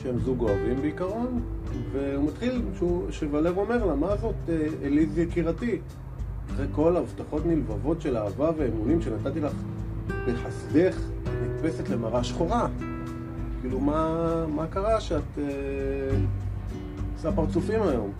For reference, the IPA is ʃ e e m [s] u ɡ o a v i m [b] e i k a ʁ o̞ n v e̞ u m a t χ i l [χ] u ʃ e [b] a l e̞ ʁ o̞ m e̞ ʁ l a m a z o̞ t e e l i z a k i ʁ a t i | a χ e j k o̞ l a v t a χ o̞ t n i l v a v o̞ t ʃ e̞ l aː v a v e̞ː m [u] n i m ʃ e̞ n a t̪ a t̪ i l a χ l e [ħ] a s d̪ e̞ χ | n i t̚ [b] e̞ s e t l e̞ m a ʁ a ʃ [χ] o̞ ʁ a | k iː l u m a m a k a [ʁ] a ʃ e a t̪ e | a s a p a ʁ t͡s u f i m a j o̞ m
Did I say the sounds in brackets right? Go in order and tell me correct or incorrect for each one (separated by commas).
incorrect, correct, incorrect, incorrect, correct, correct, incorrect, correct, correct